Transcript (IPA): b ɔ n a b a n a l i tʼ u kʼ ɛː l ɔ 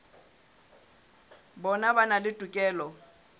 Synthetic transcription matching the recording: b ɔ n a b a n a l ɪ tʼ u kʼ ɛː l ɔ